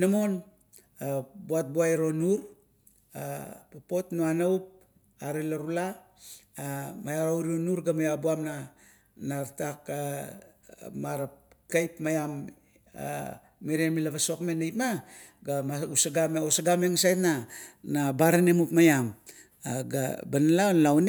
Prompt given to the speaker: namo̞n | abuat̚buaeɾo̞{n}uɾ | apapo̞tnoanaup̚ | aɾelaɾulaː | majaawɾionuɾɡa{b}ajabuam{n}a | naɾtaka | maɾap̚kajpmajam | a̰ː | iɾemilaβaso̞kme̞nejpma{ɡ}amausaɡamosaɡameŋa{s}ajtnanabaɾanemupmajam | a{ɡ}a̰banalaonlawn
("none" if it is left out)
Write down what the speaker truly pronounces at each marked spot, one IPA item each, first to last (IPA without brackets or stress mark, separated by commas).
n, m, n, ɡ, s, ɡ